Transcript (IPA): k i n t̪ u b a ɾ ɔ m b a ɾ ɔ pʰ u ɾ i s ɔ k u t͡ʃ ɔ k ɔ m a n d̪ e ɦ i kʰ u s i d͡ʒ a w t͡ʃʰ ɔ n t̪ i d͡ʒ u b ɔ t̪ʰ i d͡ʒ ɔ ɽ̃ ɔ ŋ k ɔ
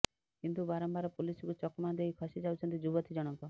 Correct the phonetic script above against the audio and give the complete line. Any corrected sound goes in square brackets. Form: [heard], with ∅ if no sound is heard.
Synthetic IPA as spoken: k i n t̪ u b a ɾ ɔ m b a ɾ ɔ [p] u [l] i s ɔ k u t͡ʃ ɔ k ɔ m a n d̪ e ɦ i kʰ [ɔ] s i d͡ʒ a w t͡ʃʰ ɔ n t̪ i d͡ʒ u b ɔ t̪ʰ i d͡ʒ ɔ ɽ̃ ɔ ŋ k ɔ